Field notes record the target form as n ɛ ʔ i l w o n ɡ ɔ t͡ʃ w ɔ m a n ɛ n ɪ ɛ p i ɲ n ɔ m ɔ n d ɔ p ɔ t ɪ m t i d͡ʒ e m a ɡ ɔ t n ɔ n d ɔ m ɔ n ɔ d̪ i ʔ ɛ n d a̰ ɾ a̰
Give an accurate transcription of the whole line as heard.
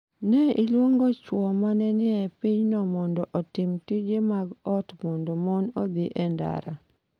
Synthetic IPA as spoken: n ɛ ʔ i l w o ŋ ɡ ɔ t͡ʃ w ɔ m a n ɛ n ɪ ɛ p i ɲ n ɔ m ɔ n d ɔ ʔ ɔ t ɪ m t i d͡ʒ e m a ɡ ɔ t m ɔ n d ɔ m ɔ n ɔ d̪ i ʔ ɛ n d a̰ ɾ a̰

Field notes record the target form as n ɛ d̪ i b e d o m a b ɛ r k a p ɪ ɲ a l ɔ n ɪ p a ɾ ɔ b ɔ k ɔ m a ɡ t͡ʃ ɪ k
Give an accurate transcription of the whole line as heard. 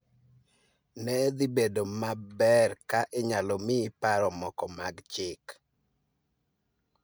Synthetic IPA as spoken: n ɛ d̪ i b e d o m a b ɛ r k a ʔ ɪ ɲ a l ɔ m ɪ p a ɾ ɔ m ɔ k ɔ m a ɡ t͡ʃ ɪ k

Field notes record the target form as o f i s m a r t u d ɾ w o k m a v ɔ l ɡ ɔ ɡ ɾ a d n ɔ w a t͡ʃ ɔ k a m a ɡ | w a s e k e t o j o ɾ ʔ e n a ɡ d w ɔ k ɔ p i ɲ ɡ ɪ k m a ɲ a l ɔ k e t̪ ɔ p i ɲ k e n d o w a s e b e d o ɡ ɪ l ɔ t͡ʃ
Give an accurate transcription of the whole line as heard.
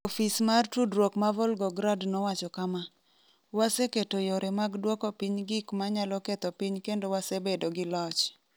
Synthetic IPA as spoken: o f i s m a r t u d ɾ w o k m a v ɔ l ɡ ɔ ɡ ɾ a d n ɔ w a t͡ʃ ɔ k a m a | w a s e k e t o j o ɾ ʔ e m a ɡ d w ɔ k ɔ p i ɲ ɡ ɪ k m a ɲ a l ɔ k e t̪ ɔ p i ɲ k e n d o w a s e b e d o ɡ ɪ l ɔ t͡ʃ

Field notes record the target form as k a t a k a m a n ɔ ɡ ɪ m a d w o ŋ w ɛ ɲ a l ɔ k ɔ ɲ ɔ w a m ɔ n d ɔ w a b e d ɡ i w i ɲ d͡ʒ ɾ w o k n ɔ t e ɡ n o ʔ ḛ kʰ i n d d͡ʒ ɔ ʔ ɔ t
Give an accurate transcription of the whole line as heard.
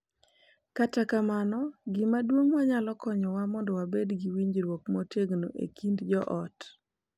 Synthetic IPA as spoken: k a t a k a m a n ɔ ɡ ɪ m a d w o ŋ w a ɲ a l ɔ k ɔ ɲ ɔ w a m ɔ n d ɔ w a b e d ɡ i w i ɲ d͡ʒ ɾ w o k m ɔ t e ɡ n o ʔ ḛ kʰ i n d d͡ʒ ɔ ʔ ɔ t

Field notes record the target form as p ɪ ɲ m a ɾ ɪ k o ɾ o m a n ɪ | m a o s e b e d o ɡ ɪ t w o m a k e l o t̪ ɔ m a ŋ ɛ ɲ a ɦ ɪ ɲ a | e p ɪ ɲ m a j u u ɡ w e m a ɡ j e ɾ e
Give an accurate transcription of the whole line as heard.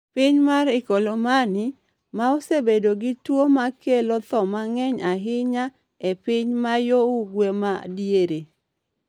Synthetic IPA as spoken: p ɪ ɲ m a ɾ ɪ k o l o m a n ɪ | m a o s e b e d o ɡ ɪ t w o m a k e l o t̪ ɔ m a ŋ ɛ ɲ a ɦ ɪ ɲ a | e p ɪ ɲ m a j o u ɡ w e m a d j e ɾ e

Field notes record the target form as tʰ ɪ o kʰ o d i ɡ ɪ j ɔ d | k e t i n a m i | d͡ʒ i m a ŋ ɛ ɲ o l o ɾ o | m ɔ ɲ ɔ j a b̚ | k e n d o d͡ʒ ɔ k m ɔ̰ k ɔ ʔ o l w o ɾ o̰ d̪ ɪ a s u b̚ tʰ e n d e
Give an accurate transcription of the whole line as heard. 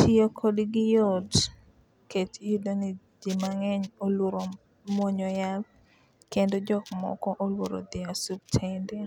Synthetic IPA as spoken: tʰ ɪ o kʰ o d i ɡ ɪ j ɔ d | k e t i d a n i | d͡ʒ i m a ŋ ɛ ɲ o l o ɾ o | m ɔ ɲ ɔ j a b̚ | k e n d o d͡ʒ ɔ k m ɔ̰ k ɔ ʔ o l w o ɾ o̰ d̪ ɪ a s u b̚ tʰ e n d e

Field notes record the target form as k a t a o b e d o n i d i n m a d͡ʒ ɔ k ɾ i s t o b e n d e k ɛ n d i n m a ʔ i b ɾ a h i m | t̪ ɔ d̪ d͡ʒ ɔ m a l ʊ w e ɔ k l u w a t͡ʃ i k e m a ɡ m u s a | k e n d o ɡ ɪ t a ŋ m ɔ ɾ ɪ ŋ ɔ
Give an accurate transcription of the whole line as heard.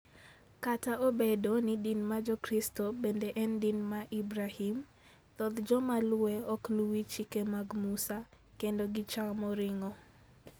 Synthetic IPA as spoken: k a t a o b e d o n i d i n m a d͡ʒ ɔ k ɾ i s t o b e n d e ʔ ɛ n d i n m a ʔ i b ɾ a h i m | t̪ ɔ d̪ d͡ʒ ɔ m a l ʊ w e ɔ k l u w i t͡ʃ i k e m a ɡ m u s a | k e n d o ɡ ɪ t͡ʃ a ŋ m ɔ ɾ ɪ ŋ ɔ

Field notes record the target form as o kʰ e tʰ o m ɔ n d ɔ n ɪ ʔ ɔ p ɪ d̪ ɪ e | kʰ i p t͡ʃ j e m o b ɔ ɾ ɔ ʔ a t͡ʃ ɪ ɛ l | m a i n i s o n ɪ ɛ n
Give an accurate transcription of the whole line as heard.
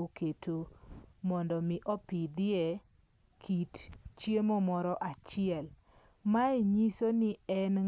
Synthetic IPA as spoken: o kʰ e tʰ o m ɔ n d ɔ m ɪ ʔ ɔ p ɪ d̪ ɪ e | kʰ i t t͡ʃ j e m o m ɔ ɾ ɔ ʔ a t͡ʃ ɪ ɛ l | m a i ɲ i s o n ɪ ɛ n

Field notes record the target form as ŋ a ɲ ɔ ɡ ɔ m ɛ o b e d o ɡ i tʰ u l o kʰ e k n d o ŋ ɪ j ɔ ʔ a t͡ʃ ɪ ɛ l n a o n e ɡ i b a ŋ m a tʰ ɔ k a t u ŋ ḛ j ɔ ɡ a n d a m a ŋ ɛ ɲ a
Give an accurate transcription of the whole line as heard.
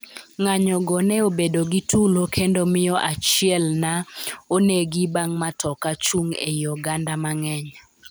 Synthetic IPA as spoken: ŋ a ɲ ɔ ɡ ɔ n ɛ o b e d o ɡ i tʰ u l o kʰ e n d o m ɪ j ɔ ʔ a t͡ʃ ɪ ɛ l n a o n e ɡ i b a ŋ m a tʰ ɔ k a t͡ʃ u ŋ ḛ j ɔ ɡ a n d a m a ŋ ɛ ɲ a

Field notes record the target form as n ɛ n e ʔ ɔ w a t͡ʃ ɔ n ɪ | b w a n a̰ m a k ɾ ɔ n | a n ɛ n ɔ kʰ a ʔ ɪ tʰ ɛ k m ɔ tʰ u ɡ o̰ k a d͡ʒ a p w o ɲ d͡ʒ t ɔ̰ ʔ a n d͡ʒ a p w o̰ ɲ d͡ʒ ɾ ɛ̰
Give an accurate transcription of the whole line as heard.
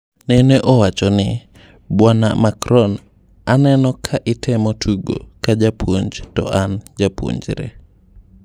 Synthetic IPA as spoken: n ɛ n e ʔ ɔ w a t͡ʃ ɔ n ɪ | b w a n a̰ m a k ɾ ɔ n | a n ɛ n ɔ kʰ a ʔ ɪ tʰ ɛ m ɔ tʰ u ɡ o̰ k a d͡ʒ a p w o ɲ d͡ʒ t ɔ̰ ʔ a n d͡ʒ a p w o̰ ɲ d͡ʒ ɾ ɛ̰

